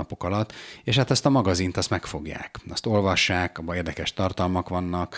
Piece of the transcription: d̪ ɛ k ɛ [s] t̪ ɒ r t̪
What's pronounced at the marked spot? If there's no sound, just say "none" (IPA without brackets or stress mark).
ʃ